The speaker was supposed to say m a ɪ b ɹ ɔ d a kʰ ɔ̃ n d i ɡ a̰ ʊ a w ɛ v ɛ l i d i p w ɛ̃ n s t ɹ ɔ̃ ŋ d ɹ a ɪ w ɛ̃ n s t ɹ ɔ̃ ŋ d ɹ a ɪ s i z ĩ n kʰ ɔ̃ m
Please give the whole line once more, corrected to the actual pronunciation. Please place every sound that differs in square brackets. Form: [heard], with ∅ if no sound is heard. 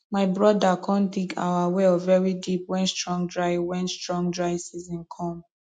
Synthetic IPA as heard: m a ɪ b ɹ ɔ d a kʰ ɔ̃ n d i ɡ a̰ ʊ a w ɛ v ɛ [ɹ] i d i p w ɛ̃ n s t ɹ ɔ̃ ŋ d ɹ a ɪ w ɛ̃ n s t ɹ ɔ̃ ŋ d ɹ a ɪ s i z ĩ n kʰ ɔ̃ m